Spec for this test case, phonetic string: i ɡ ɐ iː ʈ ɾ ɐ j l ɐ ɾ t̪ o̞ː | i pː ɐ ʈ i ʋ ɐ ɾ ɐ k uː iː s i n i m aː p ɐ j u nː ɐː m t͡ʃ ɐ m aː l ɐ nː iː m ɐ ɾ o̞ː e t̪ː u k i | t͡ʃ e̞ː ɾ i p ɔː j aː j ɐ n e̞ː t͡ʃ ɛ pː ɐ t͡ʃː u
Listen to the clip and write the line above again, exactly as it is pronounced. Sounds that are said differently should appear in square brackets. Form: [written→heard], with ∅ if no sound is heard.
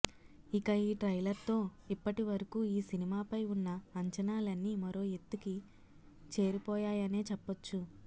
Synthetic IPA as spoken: i [ɡ→k] ɐ iː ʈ ɾ ɐ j l ɐ ɾ t̪ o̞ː | i pː ɐ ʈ i ʋ ɐ ɾ ɐ k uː iː s i n i m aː p ɐ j u nː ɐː [m→ɲ] t͡ʃ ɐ [m→n] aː l ɐ nː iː m ɐ ɾ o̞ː e t̪ː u k i | t͡ʃ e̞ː ɾ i p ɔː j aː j ɐ n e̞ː t͡ʃ ɛ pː ɐ t͡ʃː u